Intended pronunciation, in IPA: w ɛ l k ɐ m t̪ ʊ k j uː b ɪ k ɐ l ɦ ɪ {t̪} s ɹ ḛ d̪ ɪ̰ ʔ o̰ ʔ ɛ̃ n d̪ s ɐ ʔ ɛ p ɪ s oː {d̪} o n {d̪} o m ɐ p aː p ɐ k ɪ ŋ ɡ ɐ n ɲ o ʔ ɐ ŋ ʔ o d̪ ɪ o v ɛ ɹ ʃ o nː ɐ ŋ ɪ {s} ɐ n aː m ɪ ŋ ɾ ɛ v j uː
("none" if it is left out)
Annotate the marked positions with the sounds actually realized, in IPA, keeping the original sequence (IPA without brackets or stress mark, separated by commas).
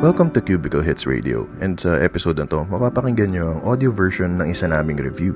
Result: t̪, d̪, t̪, s